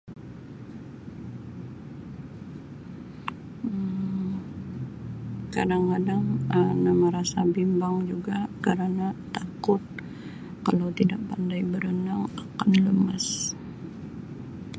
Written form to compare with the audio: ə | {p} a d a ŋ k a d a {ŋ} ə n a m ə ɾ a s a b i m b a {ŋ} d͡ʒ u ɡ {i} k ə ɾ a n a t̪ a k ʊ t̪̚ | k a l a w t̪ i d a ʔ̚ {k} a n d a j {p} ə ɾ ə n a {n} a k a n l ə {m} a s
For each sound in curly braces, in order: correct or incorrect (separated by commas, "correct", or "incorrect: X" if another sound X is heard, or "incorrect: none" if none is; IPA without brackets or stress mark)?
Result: incorrect: k, correct, correct, incorrect: a, incorrect: p, incorrect: b, incorrect: ŋ, correct